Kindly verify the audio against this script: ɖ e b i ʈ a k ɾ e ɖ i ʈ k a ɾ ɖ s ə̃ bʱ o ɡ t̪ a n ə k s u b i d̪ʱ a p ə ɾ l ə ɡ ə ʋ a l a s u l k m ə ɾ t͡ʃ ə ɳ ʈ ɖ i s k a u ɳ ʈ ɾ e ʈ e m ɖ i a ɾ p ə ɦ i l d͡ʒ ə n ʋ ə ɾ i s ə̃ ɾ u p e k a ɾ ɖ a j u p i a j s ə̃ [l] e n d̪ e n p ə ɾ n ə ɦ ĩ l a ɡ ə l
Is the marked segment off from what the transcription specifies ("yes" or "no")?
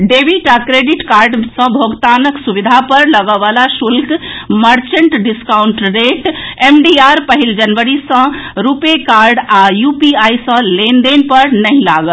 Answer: no